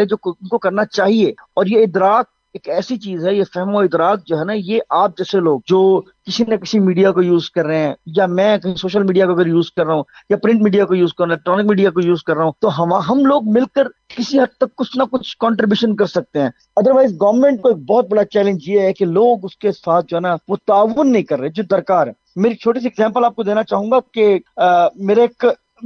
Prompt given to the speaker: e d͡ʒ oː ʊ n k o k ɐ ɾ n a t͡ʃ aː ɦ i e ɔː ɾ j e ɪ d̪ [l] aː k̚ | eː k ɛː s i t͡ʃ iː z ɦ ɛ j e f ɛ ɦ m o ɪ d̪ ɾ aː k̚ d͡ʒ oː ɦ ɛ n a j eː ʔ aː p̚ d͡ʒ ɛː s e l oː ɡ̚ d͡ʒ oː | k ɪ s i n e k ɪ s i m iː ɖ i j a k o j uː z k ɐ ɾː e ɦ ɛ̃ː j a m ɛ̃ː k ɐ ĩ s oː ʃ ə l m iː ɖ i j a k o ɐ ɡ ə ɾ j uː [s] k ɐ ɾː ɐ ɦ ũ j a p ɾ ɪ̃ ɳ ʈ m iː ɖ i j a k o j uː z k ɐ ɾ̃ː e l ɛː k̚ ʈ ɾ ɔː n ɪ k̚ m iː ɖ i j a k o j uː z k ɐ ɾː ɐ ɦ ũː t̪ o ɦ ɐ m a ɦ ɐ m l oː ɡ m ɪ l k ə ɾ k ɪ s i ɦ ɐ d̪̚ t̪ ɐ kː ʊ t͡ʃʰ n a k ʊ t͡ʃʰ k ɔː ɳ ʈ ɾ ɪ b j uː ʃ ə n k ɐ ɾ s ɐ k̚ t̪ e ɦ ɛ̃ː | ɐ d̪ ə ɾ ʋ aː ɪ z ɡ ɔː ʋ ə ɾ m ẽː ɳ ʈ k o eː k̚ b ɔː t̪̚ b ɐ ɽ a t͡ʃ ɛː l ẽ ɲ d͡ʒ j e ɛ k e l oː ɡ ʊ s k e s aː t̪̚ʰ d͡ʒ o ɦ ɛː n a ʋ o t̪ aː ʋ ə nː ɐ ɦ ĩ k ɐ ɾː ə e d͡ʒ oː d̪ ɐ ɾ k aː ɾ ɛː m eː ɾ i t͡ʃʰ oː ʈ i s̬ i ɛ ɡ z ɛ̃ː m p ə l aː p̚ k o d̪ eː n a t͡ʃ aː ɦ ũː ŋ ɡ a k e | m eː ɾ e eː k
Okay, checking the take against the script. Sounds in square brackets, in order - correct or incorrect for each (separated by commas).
incorrect, incorrect